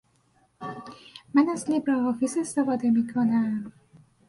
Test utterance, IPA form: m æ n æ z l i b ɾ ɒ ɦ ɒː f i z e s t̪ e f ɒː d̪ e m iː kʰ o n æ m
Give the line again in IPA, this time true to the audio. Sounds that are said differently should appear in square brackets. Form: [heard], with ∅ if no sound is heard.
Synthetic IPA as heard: m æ n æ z l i b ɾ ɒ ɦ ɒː f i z e s t̪ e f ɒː d̪ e m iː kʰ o n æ m